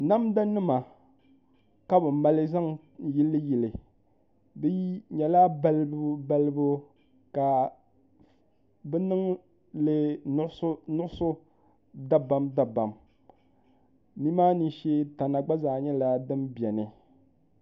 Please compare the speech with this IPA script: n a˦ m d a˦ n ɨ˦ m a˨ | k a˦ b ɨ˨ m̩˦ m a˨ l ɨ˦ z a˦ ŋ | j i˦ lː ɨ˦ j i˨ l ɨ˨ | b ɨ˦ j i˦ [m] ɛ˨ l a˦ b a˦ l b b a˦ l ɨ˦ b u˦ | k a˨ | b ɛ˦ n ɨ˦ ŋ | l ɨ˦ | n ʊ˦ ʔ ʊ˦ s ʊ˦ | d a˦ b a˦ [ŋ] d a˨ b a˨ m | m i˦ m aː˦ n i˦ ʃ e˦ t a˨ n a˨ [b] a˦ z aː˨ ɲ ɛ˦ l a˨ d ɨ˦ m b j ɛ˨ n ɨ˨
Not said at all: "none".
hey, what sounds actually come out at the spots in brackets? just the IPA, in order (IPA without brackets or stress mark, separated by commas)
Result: ɲ, m, ɡ͡b